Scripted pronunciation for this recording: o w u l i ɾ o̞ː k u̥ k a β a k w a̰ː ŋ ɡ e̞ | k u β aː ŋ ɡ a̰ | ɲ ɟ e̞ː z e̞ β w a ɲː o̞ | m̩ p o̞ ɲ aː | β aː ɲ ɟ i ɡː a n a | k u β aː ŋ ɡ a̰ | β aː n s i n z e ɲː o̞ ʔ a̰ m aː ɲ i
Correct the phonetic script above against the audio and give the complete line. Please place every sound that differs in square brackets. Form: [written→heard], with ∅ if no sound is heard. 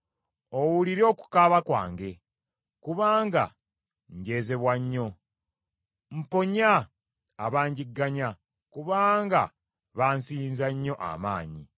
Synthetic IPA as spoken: o w u l i ɾ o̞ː k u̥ k a β a k w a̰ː ŋ ɡ e̞ | k u β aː ŋ ɡ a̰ | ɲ ɟ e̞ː z e̞ β w a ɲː o̞ | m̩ p o̞ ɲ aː | β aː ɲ ɟ i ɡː a [n→ɲ] a | k u β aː ŋ ɡ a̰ | β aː n s i n z [e→a] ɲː o̞ ʔ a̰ m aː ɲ i